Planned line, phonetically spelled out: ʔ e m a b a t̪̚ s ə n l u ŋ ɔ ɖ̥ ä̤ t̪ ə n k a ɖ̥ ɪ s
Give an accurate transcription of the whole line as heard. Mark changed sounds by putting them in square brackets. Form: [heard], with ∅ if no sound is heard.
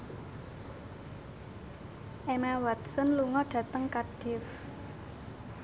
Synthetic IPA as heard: ʔ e m a [w] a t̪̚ s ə n l u ŋ ɔ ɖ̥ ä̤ t̪ ə [ŋ] k a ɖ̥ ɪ [f]